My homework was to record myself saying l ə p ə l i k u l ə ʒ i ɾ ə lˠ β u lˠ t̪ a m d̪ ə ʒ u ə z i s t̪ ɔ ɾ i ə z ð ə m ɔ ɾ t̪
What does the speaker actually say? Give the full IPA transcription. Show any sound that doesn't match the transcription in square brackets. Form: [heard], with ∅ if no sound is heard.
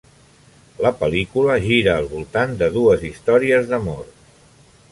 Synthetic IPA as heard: l ə p ə l i k u l ə ʒ i ɾ [əː] lˠ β u lˠ t̪ a [n] d̪ ə [ð] u ə z i s t̪ ɔ ɾ i ə z ð ə m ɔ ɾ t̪